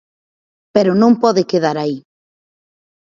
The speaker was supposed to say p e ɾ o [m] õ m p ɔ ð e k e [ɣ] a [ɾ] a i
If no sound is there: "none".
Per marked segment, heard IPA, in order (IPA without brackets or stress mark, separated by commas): n, ð, ɾ